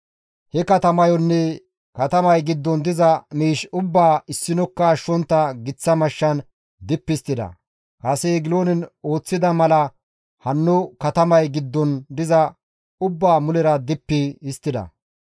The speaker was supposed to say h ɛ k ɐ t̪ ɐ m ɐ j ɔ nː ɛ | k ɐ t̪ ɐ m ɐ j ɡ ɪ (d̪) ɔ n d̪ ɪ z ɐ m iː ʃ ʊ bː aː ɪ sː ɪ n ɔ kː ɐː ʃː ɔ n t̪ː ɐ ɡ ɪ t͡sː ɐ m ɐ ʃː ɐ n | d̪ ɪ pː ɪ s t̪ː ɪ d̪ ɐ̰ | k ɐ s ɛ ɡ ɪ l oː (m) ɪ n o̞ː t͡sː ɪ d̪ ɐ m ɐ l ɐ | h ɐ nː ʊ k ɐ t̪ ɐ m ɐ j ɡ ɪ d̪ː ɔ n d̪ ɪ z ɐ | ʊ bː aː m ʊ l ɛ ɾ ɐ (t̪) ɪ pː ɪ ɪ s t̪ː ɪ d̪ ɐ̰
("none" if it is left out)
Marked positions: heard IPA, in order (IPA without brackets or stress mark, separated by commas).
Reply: d̪ː, n, d̪